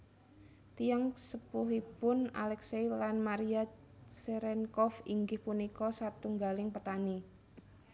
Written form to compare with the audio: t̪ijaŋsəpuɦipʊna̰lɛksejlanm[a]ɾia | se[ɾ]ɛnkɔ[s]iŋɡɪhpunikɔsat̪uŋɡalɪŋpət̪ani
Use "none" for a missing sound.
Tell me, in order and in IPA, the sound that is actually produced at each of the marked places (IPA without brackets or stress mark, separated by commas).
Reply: a, ɾ, f